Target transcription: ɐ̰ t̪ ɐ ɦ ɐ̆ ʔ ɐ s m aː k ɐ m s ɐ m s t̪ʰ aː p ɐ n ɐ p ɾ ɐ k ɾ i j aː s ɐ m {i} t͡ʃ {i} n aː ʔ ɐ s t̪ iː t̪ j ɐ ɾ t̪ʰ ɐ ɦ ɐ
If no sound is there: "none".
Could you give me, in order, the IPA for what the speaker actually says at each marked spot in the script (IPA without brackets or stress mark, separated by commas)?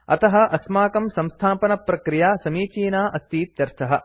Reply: iː, iː